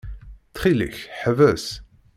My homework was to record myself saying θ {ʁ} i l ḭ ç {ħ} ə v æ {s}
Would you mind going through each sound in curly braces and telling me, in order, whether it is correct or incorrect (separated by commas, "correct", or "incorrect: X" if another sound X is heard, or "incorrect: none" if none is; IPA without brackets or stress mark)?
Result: incorrect: χ, correct, correct